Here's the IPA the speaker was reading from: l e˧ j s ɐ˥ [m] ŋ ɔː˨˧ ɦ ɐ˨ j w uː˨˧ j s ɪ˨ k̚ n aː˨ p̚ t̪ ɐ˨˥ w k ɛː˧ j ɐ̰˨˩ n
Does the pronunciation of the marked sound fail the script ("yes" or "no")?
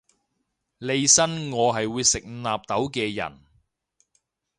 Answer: yes